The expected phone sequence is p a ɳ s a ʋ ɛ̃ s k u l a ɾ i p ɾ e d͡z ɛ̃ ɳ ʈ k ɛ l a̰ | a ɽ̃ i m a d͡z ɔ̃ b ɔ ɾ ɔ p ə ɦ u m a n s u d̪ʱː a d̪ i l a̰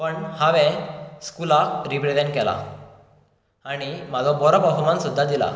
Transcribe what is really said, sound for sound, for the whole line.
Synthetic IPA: p ə ɳ h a ʋ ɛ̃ s k u l a ɾ i p ɾ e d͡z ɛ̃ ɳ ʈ k ɛ l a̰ | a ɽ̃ i m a d͡z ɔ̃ b ɔ ɾ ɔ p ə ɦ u m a n s u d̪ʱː a d̪ i l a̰